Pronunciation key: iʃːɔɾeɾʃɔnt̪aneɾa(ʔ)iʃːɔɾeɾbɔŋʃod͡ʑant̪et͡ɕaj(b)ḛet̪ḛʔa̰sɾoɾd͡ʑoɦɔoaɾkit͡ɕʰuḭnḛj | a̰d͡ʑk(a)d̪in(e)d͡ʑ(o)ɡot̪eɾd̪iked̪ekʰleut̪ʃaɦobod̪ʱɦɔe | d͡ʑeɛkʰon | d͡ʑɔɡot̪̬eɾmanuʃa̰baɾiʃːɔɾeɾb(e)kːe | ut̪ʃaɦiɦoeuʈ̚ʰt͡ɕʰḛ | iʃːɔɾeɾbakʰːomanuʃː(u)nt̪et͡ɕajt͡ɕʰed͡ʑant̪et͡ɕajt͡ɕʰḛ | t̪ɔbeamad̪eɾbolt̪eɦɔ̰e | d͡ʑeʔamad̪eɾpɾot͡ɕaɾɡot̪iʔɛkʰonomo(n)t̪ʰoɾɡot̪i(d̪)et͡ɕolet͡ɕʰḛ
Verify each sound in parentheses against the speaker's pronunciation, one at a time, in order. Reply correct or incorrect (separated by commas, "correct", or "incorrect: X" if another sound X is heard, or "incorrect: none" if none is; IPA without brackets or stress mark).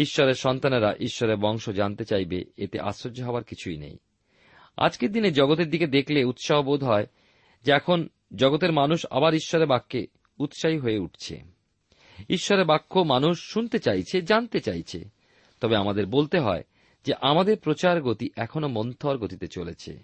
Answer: correct, correct, incorrect: e, correct, incorrect: ɔ, incorrect: a, correct, correct, incorrect: t̪